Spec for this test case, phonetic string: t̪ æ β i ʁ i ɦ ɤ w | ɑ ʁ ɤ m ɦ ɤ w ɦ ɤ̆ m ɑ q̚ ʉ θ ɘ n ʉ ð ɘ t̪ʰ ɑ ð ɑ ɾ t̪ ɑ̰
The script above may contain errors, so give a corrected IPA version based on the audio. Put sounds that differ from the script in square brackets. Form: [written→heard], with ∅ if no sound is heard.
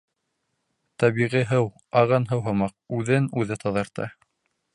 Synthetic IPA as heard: t̪ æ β i ʁ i ɦ ɤ w | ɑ ʁ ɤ [m→n] ɦ ɤ w ɦ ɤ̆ m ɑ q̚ ʉ [θ→ð] ɘ n ʉ ð ɘ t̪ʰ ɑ ð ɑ ɾ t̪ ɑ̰